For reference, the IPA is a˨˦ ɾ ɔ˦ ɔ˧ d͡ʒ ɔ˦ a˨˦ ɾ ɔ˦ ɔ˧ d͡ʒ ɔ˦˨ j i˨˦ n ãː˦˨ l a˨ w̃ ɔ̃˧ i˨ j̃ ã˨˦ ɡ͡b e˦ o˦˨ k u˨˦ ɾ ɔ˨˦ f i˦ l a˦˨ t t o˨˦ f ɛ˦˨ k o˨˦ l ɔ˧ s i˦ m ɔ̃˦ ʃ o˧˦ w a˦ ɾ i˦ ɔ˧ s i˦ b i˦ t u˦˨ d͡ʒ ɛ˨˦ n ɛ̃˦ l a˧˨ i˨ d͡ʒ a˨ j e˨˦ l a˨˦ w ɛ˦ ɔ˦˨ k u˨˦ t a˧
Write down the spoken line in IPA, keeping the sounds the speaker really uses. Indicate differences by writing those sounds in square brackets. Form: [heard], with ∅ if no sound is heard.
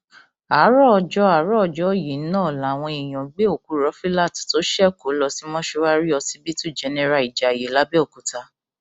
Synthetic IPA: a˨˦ ɾ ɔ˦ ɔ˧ d͡ʒ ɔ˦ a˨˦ ɾ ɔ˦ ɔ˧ d͡ʒ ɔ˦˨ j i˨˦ n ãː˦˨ l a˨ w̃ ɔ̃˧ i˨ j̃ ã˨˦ ɡ͡b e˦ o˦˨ k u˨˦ ɾ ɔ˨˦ f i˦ l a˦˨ t t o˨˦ [ʃ] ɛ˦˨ k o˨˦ l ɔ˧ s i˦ m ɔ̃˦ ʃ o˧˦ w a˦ ɾ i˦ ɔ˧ s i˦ b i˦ t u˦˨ d͡ʒ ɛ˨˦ n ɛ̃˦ [ɾ] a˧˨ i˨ d͡ʒ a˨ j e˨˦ l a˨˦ [b] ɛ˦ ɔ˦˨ k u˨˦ t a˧